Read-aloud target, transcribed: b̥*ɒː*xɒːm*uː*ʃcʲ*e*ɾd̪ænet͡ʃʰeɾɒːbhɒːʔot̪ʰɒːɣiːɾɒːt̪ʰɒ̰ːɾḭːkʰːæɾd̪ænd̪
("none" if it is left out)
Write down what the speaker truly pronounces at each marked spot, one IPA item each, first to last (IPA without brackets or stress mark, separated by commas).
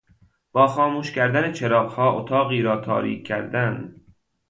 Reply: ɒː, uː, æ